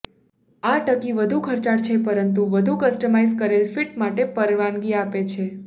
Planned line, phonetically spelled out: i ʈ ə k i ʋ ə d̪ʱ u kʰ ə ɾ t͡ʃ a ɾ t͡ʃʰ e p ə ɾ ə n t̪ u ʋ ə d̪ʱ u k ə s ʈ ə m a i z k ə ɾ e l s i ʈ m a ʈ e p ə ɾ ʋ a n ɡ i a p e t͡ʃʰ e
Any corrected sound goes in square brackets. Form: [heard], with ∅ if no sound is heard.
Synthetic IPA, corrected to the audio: [a] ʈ ə k i ʋ ə d̪ʱ u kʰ ə ɾ t͡ʃ a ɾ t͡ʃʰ e p ə ɾ ə n t̪ u ʋ ə d̪ʱ u k ə s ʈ ə m a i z k ə ɾ e l [f] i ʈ m a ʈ e p ə ɾ ʋ a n ɡ i a p e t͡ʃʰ e